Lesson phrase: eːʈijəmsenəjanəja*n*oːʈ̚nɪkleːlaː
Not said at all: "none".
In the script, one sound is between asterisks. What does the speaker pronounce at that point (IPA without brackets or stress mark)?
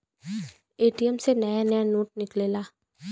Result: n